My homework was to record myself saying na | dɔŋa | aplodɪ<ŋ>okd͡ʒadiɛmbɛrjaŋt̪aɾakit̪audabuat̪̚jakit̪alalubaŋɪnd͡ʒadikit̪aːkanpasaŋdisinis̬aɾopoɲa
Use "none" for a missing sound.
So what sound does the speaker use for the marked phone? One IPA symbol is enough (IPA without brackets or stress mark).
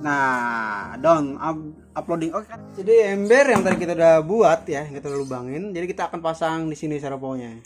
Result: ŋ